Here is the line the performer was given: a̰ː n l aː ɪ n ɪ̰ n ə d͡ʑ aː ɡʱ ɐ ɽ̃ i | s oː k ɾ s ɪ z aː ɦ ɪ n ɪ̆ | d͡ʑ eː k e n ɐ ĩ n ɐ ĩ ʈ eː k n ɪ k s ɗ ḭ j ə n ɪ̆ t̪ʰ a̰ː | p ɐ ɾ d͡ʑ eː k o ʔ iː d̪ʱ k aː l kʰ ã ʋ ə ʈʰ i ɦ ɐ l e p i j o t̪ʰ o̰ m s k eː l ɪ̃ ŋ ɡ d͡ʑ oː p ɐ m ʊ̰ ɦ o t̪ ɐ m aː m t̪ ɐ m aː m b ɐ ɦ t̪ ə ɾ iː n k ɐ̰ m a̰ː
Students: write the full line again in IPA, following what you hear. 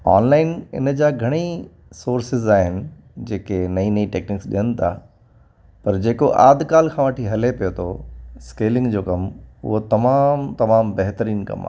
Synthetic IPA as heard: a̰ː n l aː ɪ n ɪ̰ n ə d͡ʑ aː ɡʱ ɐ ɽ̃ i | s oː ɾ s ɪ z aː ɦ ɪ n ɪ̆ | d͡ʑ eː k e n ɐ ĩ n ɐ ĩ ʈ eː k n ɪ k s ɗ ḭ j ə n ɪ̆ t̪ʰ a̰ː | p ɐ ɾ d͡ʑ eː k o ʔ aː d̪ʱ k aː l kʰ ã ʋ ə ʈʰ i ɦ ɐ l e p i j o t̪ʰ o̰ s k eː l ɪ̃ ŋ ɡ d͡ʑ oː k ɐ m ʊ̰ ɦ o t̪ ɐ m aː m t̪ ɐ m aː m b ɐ ɦ t̪ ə ɾ iː n k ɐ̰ m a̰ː